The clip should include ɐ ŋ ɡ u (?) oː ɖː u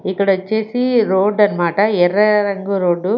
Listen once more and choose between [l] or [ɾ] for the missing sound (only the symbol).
ɾ